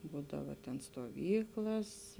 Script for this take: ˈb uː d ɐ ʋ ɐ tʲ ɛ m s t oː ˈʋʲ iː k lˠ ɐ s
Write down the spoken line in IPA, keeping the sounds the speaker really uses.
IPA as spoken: ˈb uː d ɐ ʋ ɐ tʲ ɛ n s t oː ˈʋʲ iː k lˠ ɐ s